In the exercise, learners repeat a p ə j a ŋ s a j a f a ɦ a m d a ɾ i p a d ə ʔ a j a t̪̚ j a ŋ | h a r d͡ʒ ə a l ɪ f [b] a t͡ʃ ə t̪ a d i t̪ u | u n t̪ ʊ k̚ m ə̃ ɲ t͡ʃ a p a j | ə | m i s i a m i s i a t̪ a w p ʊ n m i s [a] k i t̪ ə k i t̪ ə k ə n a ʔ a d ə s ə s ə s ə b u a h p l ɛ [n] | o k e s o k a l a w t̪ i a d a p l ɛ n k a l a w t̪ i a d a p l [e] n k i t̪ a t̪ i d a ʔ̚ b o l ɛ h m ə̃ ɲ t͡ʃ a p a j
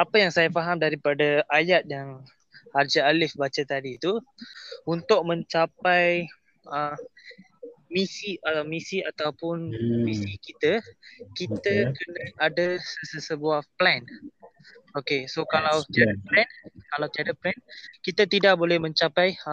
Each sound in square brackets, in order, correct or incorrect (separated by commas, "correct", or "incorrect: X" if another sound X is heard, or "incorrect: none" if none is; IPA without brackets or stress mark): correct, incorrect: i, correct, incorrect: ɛ